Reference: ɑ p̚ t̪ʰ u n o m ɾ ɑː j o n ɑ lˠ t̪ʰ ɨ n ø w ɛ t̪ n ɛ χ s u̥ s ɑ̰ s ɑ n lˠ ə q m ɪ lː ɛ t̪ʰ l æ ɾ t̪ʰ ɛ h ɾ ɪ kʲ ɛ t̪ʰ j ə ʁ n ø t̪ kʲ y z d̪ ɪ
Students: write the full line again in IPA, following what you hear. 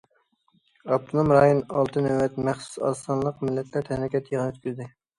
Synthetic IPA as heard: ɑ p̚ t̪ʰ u n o m ɾ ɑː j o n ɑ lˠ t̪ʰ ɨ n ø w ɛ t̪ m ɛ χ s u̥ s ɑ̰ s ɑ n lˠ ə q m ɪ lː ɛ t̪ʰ l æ ɾ t̪ʰ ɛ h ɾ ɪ kʲ ɛ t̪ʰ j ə ʁ n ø t̪ kʲ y z d̪ ɪ